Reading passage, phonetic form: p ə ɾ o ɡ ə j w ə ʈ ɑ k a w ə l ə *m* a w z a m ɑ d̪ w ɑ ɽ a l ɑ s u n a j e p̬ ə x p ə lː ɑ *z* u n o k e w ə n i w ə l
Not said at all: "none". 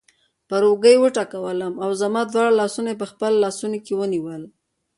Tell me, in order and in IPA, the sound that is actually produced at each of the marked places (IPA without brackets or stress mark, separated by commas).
m, s